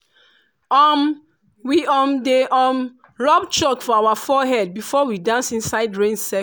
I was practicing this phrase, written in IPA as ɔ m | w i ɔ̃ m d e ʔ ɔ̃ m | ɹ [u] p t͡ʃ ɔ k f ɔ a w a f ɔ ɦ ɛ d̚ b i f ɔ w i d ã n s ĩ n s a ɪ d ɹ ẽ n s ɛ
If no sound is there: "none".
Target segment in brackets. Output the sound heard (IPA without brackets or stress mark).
ɔ